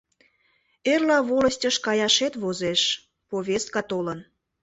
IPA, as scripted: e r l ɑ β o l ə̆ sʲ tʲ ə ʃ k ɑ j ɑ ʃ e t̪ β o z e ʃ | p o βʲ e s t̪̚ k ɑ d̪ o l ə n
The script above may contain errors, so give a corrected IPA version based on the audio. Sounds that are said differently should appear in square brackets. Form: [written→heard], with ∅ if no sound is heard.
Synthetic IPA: e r l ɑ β o l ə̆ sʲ tʲ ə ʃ k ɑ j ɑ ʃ e t̪ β o z e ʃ | p o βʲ e s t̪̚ k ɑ [d̪→t̪] o l ə n